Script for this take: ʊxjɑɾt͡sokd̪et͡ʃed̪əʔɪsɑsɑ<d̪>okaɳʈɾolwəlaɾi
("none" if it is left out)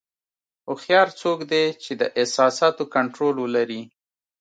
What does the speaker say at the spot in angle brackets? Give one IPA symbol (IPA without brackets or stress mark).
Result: t̪